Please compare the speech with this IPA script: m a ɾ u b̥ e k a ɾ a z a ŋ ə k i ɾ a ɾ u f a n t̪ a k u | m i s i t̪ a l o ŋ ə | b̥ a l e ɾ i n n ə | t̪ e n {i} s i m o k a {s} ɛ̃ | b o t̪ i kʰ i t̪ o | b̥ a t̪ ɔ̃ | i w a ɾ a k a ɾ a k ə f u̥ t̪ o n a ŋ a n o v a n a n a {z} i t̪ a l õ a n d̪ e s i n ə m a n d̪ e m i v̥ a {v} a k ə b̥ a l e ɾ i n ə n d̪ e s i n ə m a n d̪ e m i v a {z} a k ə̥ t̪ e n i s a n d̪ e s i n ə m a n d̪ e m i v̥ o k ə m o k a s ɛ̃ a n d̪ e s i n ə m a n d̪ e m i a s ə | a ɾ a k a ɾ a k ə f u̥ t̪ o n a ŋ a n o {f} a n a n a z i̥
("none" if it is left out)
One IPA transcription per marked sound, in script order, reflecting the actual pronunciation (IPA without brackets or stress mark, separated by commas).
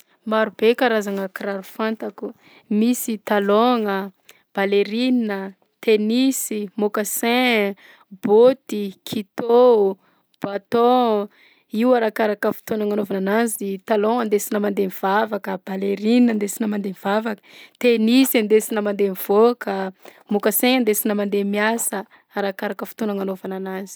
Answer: i, s, z, v, v, v